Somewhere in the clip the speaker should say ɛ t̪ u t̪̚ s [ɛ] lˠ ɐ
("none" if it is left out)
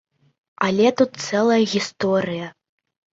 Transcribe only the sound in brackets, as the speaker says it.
ɛ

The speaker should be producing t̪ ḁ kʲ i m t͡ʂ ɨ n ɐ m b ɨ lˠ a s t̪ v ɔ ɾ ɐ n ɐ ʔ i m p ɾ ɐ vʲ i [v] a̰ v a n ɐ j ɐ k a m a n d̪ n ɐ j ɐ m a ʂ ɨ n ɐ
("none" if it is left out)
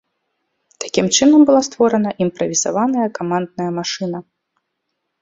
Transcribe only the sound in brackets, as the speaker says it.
z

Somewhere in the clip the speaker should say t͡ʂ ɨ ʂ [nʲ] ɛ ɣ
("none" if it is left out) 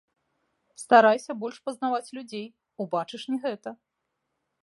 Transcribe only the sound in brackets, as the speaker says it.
nʲ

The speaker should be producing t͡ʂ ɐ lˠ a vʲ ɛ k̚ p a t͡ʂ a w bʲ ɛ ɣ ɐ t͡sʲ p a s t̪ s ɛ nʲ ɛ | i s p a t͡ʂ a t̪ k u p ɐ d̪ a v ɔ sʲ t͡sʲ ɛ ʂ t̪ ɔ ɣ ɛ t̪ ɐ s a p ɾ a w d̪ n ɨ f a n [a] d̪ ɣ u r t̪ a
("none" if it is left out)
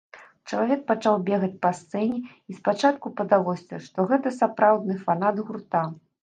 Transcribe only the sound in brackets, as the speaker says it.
a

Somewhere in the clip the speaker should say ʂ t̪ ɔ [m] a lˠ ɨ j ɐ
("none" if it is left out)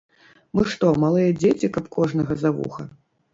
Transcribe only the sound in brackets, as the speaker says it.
m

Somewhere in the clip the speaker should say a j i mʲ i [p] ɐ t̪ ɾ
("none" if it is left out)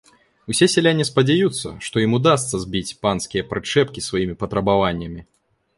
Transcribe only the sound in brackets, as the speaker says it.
p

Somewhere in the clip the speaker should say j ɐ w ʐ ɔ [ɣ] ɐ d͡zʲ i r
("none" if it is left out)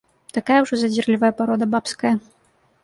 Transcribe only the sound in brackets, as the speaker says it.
z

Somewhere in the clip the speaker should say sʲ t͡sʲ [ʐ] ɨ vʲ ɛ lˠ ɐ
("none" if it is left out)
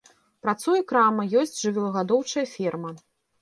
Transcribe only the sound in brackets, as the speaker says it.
ʐ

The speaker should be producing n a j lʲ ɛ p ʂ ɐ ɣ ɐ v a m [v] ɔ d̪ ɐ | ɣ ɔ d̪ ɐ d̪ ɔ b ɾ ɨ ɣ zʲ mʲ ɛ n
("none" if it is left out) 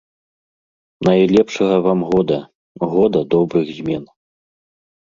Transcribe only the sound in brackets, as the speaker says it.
ɣ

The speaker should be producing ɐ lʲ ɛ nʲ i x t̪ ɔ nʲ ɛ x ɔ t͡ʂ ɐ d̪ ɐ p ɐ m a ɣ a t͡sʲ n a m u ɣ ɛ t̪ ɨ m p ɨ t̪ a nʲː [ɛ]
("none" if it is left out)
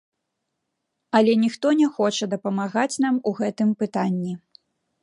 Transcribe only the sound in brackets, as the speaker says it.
i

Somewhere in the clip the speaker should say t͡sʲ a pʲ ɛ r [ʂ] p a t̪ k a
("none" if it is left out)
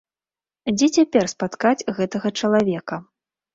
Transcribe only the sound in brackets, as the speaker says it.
s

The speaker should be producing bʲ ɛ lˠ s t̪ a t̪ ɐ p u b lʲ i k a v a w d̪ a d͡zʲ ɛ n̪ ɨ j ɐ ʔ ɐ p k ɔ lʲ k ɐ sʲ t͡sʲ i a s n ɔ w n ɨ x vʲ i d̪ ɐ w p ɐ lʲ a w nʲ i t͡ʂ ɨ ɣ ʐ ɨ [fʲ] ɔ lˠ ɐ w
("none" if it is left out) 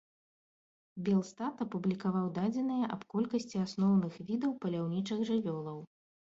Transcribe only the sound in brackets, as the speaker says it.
vʲ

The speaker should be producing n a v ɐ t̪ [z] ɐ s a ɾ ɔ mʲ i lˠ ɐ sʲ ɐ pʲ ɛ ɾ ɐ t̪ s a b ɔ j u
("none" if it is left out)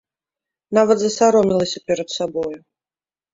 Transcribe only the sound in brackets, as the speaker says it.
z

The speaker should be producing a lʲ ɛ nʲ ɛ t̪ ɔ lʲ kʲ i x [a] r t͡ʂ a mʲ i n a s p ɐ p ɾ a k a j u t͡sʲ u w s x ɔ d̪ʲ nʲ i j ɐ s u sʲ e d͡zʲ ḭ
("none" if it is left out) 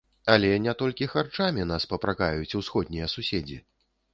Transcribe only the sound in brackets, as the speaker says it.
a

